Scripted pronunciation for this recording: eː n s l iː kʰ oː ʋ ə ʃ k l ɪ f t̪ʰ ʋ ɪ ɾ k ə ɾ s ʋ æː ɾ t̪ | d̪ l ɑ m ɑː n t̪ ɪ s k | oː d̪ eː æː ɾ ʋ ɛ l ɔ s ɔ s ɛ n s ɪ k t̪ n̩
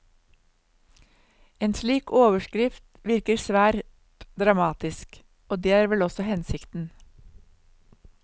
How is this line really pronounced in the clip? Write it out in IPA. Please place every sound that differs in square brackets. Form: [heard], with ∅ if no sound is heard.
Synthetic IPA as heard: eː n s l iː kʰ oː ʋ ə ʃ k [ɾ] ɪ f [t̪] ʋ ɪ ɾ k ə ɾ s ʋ æː ɾ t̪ | d̪ [ɾ] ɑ m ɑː [∅] t̪ ɪ s k | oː d̪ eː æː ɾ ʋ ɛ l ɔ s ɔ [h] ɛ n s ɪ k t̪ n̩